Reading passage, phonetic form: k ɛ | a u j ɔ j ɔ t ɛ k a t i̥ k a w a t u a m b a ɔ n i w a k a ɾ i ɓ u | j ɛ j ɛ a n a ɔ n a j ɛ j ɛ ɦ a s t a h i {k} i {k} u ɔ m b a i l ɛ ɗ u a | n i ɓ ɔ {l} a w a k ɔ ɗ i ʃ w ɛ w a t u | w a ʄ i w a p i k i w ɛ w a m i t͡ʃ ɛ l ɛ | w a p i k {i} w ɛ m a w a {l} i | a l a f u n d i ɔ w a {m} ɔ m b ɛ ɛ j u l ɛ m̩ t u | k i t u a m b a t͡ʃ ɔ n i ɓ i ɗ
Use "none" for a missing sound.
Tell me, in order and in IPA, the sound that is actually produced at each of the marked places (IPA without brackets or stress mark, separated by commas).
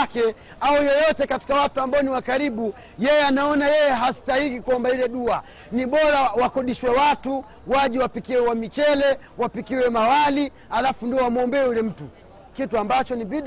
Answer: k, k, ɾ, i, l, m